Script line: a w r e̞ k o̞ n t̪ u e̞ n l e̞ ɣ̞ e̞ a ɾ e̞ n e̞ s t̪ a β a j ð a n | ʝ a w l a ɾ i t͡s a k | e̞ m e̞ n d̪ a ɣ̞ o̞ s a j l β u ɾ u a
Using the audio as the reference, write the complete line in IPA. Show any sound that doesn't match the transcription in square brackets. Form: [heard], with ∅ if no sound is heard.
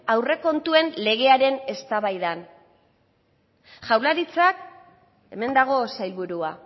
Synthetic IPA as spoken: a w r e̞ k o̞ n t̪ u e̞ n l e̞ ɣ̞ e̞ a ɾ e̞ n e̞ s t̪ a β a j ð a n | ʝ a w l a ɾ i t͡s a k | e̞ m e̞ n d̪ a ɣ̞ o̞ s a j l β u ɾ u a